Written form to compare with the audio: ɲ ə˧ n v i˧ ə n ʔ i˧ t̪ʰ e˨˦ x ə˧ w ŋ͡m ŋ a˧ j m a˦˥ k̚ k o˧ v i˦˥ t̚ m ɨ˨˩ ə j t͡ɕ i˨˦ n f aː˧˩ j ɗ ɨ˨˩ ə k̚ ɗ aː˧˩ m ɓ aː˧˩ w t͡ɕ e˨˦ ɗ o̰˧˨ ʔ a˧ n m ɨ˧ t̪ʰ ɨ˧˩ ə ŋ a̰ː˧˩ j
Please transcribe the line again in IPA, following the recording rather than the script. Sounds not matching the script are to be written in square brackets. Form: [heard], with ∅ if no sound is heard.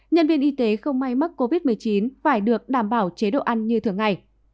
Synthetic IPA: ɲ ə˧ n v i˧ ə n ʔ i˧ [t̪] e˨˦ x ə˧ w ŋ͡m [m] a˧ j m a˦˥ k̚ k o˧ v i˦˥ t̚ m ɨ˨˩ ə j t͡ɕ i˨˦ n f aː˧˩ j ɗ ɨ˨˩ ə k̚ ɗ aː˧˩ m ɓ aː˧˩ w t͡ɕ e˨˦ ɗ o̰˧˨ ʔ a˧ n [ɲ] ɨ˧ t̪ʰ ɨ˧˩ ə ŋ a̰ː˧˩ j